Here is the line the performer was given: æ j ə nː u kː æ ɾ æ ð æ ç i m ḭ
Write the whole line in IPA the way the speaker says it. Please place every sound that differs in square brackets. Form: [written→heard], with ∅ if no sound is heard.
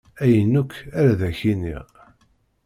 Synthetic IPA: æ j ə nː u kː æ ɾ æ ð æ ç i [m→n] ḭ